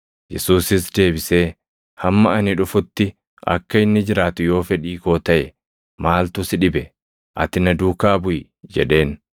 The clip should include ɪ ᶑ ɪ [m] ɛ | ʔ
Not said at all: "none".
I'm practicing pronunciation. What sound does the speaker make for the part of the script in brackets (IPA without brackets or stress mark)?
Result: b